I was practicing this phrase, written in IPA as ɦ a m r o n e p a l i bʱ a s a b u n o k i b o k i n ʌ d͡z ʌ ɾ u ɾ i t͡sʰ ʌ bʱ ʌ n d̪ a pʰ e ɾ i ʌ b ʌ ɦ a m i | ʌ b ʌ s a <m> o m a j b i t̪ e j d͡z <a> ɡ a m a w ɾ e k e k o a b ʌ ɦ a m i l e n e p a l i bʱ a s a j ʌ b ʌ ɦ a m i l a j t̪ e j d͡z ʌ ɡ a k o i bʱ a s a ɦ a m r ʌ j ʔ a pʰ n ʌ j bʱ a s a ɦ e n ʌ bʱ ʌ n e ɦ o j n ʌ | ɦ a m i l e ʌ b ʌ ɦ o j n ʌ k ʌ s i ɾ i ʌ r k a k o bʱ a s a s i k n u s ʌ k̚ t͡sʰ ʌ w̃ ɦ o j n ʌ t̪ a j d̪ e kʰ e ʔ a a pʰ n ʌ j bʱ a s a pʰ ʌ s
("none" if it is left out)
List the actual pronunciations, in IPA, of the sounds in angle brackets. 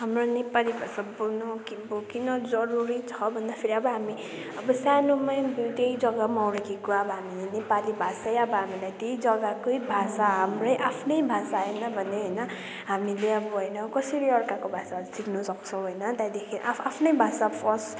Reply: n, ʌ

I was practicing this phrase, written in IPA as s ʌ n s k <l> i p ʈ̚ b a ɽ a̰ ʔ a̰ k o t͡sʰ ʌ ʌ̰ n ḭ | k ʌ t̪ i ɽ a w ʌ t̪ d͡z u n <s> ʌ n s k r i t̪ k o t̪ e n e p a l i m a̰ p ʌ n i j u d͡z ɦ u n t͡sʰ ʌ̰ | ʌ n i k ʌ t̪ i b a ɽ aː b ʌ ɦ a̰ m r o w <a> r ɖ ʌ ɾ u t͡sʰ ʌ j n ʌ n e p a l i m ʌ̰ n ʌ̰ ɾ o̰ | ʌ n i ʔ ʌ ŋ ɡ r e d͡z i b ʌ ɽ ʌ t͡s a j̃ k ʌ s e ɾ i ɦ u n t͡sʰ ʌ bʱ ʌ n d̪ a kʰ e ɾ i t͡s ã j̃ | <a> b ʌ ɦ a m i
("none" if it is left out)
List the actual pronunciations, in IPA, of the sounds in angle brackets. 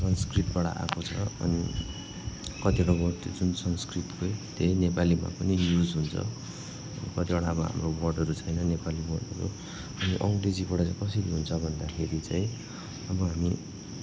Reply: r, s, ʌ, ʌ

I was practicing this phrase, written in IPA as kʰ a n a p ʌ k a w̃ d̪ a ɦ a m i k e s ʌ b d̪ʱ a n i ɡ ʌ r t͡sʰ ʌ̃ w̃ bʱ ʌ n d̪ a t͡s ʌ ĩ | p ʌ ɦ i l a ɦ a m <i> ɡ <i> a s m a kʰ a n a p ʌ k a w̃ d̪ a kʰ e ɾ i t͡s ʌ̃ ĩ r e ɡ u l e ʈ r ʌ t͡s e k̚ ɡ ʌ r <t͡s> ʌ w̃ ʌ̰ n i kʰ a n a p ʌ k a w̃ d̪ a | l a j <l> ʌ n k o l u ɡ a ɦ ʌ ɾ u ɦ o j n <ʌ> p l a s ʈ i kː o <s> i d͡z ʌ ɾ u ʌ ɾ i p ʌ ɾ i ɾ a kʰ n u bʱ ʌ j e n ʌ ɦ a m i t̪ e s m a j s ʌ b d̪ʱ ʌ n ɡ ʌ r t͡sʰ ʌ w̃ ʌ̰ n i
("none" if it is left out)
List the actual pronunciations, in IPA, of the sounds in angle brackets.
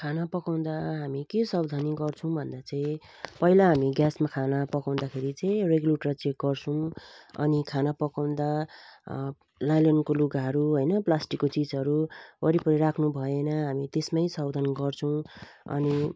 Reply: i, j, t͡sʰ, l, ʌ, t͡s

